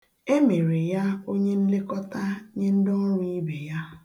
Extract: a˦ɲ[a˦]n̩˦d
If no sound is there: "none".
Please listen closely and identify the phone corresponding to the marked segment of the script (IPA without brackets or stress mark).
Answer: e˦